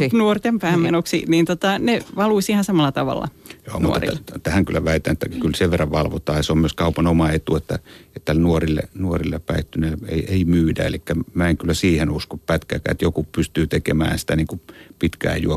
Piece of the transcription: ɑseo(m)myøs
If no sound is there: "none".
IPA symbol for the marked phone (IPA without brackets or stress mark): m